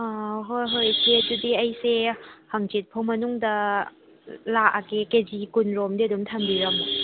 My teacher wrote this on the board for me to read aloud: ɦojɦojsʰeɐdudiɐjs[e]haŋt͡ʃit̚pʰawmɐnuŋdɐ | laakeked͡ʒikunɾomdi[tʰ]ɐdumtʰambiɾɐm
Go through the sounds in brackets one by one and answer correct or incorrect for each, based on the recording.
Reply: correct, incorrect

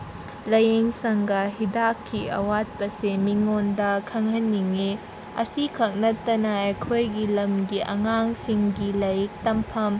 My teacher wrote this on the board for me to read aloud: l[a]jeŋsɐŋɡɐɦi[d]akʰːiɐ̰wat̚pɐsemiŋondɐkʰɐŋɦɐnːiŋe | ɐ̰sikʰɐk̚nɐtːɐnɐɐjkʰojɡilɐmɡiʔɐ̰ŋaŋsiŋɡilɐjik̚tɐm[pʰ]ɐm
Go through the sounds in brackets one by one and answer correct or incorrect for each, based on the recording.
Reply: incorrect, correct, correct

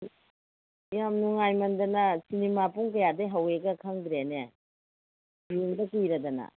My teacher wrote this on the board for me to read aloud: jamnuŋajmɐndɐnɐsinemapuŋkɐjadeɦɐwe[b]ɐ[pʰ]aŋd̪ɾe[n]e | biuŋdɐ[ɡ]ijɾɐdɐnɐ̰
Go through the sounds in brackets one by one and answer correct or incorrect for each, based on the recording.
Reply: incorrect, incorrect, correct, incorrect

